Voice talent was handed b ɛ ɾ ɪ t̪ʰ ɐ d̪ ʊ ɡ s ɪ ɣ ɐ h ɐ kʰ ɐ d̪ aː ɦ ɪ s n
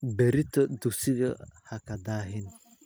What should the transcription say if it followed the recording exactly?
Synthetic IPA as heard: b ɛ ɾ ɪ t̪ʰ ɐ d̪ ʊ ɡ s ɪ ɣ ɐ h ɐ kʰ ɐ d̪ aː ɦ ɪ n